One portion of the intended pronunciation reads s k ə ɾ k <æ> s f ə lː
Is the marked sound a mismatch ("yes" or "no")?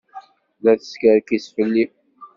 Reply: yes